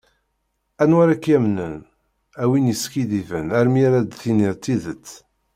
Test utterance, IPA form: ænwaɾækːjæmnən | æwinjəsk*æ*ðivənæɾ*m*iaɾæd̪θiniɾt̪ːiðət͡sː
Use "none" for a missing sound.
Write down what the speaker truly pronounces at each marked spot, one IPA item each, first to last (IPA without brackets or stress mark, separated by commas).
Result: i, m